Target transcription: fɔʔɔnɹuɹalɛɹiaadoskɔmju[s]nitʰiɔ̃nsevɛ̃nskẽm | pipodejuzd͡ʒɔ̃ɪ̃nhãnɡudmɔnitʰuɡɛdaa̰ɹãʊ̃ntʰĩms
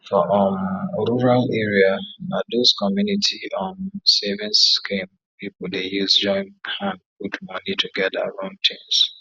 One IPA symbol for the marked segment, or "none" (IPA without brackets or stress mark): none